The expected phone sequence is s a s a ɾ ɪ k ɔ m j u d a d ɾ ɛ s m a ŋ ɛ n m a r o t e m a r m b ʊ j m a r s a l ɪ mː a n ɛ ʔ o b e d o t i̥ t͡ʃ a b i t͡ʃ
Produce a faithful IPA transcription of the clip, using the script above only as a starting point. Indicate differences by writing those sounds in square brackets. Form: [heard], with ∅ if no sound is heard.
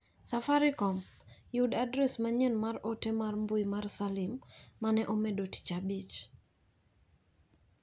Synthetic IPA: s a [f] a ɾ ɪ k ɔ m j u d a d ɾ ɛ s m a [ɲ] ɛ n m a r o t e m a r m b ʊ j m a r s a l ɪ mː a n ɛ ʔ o [m] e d o t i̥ t͡ʃ a b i t͡ʃ